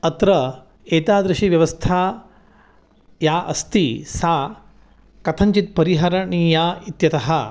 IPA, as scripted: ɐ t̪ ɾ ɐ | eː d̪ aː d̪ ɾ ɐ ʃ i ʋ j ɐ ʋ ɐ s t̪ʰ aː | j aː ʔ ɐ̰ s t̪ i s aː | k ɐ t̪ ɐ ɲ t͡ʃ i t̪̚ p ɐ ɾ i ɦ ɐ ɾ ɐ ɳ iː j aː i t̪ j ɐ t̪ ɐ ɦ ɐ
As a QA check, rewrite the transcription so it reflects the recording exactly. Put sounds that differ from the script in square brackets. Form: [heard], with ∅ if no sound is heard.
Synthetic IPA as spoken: ɐ t̪ ɾ ɐ | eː [t̪] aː d̪ ɾ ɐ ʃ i ʋ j ɐ ʋ ɐ s t̪ʰ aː | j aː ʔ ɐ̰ s t̪ i s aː | k ɐ [t̪ʰ] ɐ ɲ t͡ʃ i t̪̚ p ɐ ɾ i ɦ ɐ ɾ ɐ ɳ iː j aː i t̪ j ɐ t̪ ɐ ɦ ɐ